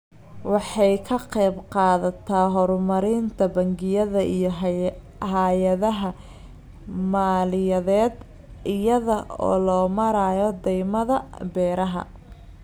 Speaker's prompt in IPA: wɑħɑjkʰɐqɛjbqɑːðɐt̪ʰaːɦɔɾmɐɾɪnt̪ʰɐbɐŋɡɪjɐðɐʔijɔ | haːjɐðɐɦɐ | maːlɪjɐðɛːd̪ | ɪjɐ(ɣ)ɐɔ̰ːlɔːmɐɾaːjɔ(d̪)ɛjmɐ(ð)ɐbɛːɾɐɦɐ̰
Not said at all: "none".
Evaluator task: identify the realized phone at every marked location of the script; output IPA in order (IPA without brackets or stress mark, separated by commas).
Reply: ð, d̪, ð